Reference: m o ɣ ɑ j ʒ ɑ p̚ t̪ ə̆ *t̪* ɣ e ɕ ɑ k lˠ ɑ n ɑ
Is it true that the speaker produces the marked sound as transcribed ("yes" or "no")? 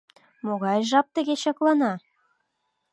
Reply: no